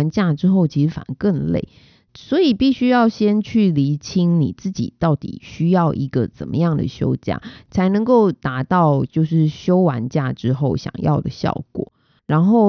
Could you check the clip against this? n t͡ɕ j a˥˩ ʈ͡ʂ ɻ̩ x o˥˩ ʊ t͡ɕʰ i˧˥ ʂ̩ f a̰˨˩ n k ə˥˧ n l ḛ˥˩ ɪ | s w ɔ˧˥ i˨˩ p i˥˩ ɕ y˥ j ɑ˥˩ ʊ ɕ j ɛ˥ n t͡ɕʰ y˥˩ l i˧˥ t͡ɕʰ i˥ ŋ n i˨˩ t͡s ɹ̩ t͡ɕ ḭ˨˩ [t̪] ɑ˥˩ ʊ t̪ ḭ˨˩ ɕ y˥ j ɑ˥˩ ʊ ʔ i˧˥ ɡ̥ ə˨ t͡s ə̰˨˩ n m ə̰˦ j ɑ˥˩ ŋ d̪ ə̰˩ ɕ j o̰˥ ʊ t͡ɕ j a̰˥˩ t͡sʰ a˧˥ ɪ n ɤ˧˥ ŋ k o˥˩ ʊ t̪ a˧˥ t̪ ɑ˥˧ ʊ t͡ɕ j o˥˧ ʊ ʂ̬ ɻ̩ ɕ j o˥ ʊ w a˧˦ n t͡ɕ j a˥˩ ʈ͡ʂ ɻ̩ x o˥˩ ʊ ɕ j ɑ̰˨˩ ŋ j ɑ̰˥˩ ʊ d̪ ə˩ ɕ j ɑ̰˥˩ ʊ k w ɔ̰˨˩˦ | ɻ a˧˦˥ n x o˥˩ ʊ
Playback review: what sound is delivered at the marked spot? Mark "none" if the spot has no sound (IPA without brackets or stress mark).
t̪